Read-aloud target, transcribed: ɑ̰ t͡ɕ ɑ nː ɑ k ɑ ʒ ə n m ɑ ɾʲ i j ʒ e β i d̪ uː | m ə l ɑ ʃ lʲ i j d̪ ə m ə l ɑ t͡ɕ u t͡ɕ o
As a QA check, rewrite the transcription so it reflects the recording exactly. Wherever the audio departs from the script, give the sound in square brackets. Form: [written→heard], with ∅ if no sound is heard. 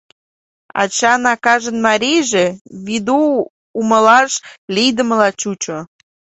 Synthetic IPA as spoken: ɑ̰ t͡ɕ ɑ [nː→n] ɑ k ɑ ʒ ə n m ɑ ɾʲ i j ʒ e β i d̪ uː | m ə l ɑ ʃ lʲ i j d̪ ə m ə l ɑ t͡ɕ u t͡ɕ o